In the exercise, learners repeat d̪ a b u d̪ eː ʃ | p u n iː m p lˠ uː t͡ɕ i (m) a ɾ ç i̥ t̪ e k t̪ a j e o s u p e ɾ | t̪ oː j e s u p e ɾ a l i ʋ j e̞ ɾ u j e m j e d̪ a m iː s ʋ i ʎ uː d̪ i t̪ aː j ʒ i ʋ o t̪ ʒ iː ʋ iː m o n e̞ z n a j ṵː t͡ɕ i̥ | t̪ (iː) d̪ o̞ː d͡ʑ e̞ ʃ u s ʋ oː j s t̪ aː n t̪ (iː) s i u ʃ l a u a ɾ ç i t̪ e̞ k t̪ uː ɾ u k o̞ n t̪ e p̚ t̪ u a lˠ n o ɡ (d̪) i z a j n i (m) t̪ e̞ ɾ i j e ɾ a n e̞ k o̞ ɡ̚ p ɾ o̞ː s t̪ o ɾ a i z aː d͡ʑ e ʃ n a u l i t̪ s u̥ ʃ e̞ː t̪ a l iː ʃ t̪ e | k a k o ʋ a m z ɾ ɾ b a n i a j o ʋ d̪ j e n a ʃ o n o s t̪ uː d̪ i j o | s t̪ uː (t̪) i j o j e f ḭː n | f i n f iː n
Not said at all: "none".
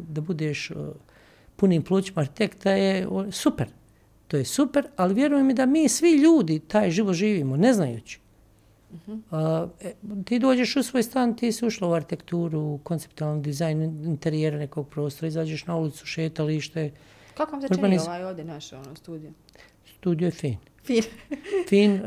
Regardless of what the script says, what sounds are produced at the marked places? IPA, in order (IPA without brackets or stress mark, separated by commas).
m, iː, iː, d̪, n, d̪